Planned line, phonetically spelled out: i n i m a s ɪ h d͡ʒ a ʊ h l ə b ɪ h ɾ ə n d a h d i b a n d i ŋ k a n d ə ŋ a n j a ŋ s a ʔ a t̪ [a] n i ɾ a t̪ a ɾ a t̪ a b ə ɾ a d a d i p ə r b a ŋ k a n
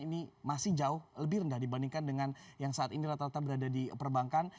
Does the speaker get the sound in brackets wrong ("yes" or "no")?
yes